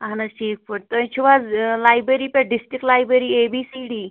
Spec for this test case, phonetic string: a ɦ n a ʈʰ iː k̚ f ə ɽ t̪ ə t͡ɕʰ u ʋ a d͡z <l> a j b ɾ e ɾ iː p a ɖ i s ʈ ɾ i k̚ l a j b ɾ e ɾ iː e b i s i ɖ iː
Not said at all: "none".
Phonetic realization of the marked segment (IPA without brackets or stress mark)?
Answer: l